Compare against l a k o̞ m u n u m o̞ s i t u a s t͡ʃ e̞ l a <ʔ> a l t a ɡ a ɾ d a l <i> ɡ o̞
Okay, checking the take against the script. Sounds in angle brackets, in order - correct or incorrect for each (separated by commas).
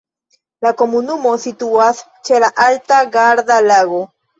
correct, incorrect